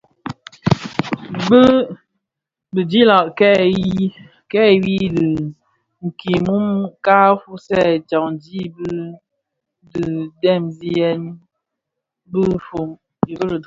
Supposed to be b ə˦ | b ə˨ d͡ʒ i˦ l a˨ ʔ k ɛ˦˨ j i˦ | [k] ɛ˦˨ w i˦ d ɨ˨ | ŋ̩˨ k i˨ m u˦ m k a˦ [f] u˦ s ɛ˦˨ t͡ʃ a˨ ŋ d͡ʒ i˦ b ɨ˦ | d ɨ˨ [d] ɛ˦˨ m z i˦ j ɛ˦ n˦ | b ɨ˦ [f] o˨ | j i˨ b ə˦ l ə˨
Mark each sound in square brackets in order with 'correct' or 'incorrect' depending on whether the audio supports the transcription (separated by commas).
correct, correct, correct, correct